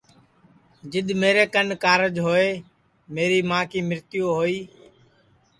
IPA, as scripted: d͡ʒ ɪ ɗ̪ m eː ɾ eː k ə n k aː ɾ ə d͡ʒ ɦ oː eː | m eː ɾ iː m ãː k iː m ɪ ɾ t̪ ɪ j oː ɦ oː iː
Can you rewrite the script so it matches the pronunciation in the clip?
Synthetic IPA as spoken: d͡ʒ ɪ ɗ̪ m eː ɾ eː k ə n k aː ɾ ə d͡ʒ ɦ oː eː | m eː ɾ iː m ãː k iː m ɪ ɾ t̪ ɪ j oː ɦ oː iː